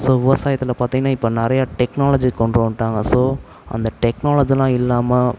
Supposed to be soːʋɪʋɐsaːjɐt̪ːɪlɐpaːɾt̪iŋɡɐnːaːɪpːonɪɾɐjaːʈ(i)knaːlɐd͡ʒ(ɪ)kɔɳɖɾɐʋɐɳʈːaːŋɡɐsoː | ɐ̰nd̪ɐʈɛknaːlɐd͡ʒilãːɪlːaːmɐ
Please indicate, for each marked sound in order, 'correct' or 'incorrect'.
incorrect: ɛ, incorrect: i

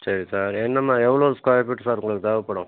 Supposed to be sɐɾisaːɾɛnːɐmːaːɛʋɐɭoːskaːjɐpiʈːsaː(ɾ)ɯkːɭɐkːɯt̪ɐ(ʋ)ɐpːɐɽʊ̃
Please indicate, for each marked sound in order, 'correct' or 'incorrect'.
correct, correct

